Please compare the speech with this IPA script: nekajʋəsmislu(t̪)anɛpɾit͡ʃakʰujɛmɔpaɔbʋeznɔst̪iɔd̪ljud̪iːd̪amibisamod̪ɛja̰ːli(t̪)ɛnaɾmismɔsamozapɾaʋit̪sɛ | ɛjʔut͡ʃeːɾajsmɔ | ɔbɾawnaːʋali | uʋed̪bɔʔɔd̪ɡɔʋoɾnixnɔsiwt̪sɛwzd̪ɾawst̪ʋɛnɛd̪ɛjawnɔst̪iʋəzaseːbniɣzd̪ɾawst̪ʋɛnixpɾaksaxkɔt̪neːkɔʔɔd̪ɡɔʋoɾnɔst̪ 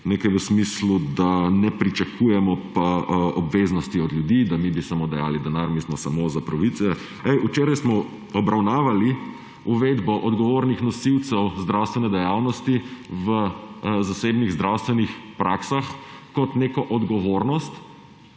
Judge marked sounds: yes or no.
no, no

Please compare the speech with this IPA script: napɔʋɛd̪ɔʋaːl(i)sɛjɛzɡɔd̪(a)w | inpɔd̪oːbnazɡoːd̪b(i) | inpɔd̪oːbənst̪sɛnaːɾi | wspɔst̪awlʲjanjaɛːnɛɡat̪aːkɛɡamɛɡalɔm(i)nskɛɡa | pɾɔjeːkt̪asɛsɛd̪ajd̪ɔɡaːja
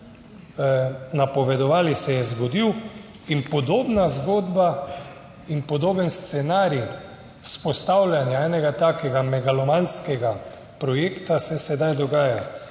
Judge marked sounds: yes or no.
yes, no, no, no

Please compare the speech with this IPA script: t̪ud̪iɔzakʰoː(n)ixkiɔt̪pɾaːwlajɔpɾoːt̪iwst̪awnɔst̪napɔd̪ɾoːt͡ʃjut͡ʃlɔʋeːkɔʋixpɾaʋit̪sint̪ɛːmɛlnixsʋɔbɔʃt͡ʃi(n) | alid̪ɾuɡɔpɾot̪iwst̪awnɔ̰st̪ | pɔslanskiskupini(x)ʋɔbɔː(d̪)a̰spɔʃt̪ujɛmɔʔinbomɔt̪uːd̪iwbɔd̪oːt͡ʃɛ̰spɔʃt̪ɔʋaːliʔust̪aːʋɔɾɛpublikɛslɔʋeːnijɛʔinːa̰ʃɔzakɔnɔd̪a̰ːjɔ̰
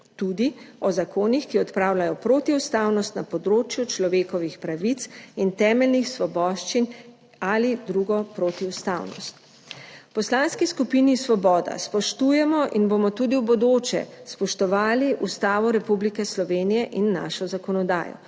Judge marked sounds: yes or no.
yes, yes, no, yes

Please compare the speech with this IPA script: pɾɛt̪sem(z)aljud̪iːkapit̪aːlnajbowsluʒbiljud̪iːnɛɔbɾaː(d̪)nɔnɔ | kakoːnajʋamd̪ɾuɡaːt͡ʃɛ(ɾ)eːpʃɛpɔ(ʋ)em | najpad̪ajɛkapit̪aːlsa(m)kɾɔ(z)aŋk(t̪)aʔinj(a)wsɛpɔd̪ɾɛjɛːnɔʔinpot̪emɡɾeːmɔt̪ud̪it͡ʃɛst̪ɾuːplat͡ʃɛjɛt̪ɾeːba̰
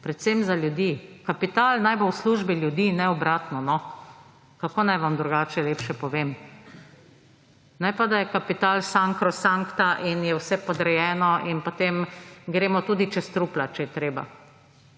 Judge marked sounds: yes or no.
yes, no, no, yes, no, no, yes, no

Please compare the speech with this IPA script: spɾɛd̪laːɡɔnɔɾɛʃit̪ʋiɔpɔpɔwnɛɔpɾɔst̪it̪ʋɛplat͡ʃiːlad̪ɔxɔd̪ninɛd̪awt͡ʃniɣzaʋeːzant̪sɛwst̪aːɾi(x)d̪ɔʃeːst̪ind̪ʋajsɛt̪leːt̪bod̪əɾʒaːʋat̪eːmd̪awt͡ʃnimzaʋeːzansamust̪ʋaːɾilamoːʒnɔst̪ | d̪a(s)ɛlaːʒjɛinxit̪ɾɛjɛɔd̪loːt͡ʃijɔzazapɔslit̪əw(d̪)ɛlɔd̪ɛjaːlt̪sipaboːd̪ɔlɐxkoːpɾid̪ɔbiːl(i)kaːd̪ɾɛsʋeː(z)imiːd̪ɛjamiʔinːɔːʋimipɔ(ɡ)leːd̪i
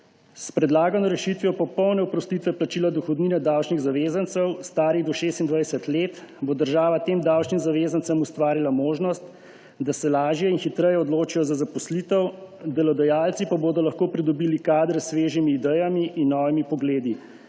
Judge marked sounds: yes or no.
no, yes, yes, yes, no, yes

